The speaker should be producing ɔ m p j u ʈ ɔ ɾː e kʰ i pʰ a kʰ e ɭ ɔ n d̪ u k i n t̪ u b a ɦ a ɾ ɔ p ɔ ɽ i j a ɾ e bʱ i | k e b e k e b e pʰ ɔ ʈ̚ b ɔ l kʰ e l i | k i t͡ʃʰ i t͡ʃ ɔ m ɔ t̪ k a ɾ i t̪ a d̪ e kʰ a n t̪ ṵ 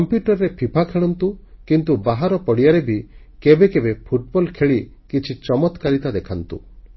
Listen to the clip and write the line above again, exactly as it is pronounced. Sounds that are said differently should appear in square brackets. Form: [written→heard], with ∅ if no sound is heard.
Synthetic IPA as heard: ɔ m p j u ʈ ɔ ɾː e [kʰ→pʰ] i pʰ a kʰ e ɭ ɔ n [d̪→t̪] u k i n t̪ u b a ɦ a ɾ ɔ p ɔ ɽ i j a ɾ e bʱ i | k e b e k e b e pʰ [ɔ→u] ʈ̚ b ɔ l kʰ e [l→ɭ] i | k i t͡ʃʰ i t͡ʃ ɔ m ɔ t̪ k a ɾ i t̪ a d̪ e kʰ a n t̪ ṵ